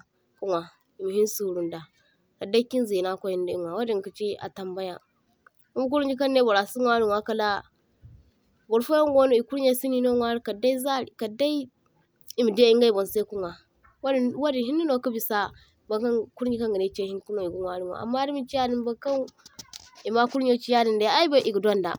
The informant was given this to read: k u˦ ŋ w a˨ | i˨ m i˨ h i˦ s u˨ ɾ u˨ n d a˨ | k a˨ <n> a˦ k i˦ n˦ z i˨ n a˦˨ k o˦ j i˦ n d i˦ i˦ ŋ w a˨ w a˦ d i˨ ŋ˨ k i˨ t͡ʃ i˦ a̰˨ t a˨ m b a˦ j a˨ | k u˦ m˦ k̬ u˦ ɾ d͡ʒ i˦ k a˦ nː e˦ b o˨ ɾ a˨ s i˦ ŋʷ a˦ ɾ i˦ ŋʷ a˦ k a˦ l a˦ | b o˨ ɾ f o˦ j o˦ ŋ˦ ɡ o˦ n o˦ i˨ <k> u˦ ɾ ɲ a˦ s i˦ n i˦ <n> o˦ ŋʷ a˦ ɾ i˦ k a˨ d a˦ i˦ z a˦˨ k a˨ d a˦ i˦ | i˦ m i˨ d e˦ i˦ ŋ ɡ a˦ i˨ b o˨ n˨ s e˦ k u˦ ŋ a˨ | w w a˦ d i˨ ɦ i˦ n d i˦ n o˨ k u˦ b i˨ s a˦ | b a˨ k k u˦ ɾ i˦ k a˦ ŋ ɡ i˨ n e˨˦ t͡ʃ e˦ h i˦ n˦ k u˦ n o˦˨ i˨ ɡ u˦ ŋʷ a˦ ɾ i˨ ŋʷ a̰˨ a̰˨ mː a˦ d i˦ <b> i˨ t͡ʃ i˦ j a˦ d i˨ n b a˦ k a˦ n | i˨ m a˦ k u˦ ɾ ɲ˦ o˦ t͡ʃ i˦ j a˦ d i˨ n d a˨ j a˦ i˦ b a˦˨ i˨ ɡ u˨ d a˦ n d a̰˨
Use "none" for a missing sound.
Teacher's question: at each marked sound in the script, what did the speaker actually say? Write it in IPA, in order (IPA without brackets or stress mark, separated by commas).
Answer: d, k, n, m